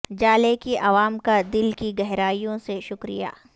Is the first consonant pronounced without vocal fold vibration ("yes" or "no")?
no